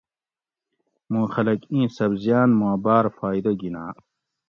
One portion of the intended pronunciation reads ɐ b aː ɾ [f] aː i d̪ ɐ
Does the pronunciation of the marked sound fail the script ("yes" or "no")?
no